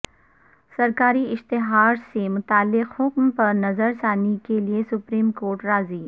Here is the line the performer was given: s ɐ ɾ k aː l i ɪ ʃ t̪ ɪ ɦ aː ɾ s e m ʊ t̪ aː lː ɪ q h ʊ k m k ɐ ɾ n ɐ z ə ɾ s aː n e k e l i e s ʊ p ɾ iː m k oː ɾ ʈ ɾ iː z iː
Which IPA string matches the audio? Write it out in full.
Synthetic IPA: s ɐ ɾ k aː ɾ i ɪ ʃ t̪ ɪ ɦ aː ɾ s e m ʊ t̪ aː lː ɪ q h ʊ k m p ɐ ɾ n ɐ z ə ɾ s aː n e k e l i e s ʊ p ɾ iː m k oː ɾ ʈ ɾ aː z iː